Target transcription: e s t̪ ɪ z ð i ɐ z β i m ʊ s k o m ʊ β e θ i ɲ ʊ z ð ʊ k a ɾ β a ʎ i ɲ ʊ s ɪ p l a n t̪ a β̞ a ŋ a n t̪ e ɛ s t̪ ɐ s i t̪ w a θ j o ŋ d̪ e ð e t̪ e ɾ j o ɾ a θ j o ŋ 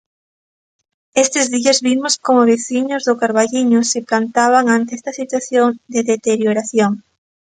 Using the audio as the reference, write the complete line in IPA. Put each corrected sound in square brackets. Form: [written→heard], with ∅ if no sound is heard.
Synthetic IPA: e s t̪ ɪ z ð i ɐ z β i m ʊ s k o m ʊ β e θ i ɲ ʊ z ð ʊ k a ɾ β a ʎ i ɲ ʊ s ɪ p l a n t̪ a β̞ a ŋ a n t̪ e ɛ s t̪ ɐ s i t̪ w a θ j o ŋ d̪ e ð e t̪ e ɾ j o ɾ a θ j o ŋ